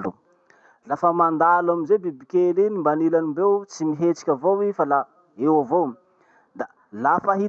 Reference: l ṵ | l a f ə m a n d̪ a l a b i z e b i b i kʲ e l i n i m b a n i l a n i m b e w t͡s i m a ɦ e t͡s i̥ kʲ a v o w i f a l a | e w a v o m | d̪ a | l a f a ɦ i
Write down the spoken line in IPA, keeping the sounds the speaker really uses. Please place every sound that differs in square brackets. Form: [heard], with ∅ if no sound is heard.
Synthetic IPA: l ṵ | l a f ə m a n d̪ a l a [m] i z e b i b i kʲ e l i n i m b a n i l a n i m b e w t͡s i m [i] ɦ e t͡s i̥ kʲ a v o w i f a l a | e w a v o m | d̪ a | l a f a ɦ i